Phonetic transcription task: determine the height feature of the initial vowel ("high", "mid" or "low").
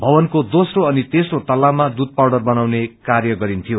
mid